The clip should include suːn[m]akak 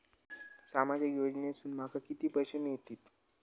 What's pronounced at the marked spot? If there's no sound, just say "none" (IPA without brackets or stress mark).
m